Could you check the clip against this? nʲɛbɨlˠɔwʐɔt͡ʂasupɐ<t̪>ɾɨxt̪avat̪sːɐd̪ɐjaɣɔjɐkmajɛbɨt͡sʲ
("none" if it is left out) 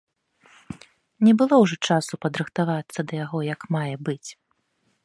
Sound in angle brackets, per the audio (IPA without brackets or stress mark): d̪